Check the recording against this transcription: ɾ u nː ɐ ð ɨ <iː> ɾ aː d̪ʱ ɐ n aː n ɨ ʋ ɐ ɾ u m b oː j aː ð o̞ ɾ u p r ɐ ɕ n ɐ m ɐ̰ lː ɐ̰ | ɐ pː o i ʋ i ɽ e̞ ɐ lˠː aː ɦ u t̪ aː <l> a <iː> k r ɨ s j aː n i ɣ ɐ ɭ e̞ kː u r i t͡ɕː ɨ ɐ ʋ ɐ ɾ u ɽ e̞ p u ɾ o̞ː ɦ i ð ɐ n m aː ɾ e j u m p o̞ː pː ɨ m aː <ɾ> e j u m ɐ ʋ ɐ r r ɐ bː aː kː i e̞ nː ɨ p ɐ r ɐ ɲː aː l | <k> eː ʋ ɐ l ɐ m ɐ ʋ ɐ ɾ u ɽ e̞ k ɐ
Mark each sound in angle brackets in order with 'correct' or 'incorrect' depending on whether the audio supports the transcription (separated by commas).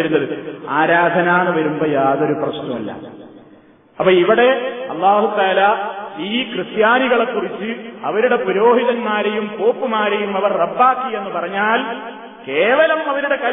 incorrect, correct, correct, correct, correct